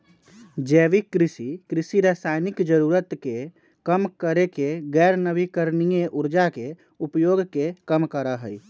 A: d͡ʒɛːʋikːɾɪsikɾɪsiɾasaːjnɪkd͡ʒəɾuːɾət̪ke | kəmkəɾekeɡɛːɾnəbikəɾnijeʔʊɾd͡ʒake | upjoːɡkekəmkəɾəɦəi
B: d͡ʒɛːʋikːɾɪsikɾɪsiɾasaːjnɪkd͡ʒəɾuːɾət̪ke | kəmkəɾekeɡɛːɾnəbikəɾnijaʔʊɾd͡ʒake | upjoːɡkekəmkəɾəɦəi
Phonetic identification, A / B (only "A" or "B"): A